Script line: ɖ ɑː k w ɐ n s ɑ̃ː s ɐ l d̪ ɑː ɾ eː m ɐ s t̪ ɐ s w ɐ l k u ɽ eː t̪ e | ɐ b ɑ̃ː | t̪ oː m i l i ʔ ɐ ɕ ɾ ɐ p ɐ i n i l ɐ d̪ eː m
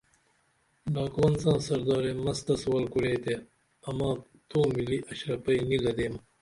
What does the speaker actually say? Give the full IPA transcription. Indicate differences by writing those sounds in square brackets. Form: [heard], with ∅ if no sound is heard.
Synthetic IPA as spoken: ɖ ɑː k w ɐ n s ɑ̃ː s ɐ [ɾ] d̪ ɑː ɾ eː m ɐ s t̪ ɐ s w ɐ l k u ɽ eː t̪ e | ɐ [m] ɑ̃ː | t̪ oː m i l i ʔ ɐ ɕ ɾ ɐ p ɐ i n i l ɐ d̪ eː m